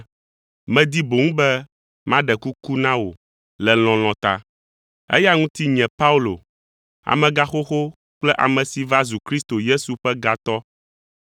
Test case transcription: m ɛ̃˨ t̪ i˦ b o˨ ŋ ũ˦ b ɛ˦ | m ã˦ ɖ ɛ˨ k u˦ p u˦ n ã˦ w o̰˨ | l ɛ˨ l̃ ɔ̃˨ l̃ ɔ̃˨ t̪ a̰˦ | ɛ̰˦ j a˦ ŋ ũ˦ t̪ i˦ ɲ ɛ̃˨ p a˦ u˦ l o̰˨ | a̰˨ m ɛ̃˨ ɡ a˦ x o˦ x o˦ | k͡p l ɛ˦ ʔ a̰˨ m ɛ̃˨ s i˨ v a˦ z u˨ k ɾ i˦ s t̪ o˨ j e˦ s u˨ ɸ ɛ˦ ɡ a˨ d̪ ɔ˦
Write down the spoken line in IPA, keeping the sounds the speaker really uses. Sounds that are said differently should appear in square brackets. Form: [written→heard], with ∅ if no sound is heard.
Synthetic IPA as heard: m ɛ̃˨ [t̪→d̪] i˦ b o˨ ŋ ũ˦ b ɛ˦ | m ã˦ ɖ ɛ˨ k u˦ [p→k] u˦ n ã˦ w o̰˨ | l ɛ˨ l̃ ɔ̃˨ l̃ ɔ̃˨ t̪ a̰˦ | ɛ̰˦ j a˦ ŋ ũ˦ t̪ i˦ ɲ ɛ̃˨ p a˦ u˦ l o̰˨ | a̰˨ m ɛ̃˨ ɡ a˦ x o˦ x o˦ | k͡p l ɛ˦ ʔ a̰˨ m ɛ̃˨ s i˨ v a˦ z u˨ k ɾ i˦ s t̪ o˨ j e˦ s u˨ ɸ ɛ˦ ɡ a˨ [d̪→t̪] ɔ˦